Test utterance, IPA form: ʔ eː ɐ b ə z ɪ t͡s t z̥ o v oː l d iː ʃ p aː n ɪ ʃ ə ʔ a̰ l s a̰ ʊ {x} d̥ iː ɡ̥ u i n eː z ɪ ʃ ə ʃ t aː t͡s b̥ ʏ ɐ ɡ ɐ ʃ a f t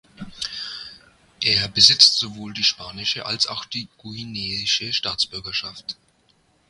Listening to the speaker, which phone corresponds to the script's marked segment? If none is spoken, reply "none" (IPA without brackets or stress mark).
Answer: x